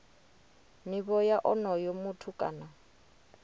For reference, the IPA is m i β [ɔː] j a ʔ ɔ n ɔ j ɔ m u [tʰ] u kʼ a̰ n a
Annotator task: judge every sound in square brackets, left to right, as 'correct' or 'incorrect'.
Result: incorrect: ɔ, correct

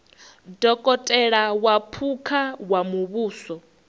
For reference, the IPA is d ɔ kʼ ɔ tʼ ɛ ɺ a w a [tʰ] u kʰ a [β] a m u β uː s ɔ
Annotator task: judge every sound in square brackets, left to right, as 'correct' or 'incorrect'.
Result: incorrect: pʰ, incorrect: w

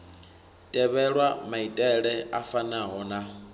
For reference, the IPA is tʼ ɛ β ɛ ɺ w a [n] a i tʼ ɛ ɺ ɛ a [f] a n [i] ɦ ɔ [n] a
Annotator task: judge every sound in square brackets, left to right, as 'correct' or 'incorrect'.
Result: incorrect: m, correct, incorrect: a, correct

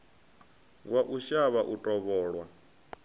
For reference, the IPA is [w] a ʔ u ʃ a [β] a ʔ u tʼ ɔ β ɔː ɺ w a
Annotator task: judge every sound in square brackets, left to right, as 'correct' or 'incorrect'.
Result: correct, correct

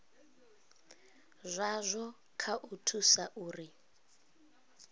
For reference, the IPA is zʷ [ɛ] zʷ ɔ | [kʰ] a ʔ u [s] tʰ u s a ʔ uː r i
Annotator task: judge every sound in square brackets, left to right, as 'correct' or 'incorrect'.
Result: incorrect: a, correct, incorrect: none

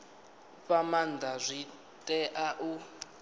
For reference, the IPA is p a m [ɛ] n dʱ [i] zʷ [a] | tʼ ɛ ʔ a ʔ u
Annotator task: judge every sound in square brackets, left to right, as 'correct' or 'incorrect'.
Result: incorrect: a, incorrect: a, incorrect: i

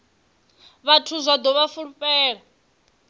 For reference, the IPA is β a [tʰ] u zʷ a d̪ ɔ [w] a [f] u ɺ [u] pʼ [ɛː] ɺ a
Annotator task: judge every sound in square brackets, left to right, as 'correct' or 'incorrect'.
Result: correct, incorrect: β, correct, correct, correct

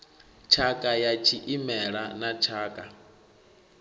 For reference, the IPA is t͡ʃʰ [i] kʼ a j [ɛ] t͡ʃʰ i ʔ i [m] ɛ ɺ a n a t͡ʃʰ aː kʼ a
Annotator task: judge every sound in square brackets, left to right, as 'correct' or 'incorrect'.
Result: incorrect: a, incorrect: a, correct

